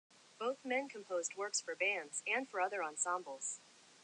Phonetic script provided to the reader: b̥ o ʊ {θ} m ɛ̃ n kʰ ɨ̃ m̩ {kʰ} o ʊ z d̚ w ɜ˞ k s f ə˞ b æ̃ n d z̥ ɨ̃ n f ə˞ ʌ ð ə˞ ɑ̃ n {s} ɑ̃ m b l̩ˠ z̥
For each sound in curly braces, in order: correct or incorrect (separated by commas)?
correct, incorrect, correct